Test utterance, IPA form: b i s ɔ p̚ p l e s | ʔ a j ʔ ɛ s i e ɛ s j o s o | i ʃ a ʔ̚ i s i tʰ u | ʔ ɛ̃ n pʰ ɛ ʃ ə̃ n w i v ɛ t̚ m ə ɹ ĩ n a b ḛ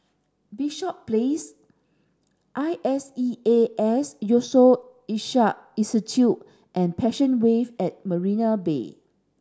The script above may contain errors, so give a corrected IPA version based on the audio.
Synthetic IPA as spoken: b i ʃ ɔ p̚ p l e s | ʔ a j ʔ ɛ s i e ɛ s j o s o | i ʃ a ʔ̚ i s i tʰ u | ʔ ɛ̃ n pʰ ɛ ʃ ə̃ n w e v ɛ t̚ m ə ɹ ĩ n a b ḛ